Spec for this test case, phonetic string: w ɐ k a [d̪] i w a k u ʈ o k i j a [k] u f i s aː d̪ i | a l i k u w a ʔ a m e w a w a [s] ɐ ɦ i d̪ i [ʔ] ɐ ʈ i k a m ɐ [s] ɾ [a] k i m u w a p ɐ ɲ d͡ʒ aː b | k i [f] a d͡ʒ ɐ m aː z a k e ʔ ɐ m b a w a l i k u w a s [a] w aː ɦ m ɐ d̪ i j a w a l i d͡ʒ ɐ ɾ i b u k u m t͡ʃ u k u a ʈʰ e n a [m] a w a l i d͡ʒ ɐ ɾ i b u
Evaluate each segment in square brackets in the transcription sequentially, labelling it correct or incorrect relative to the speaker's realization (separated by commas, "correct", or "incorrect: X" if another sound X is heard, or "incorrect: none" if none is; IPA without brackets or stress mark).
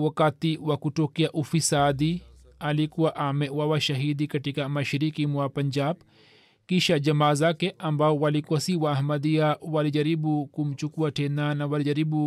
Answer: incorrect: t̪, incorrect: ʔ, incorrect: ʃ, incorrect: k, incorrect: ʃ, incorrect: i, incorrect: ʃ, incorrect: i, incorrect: n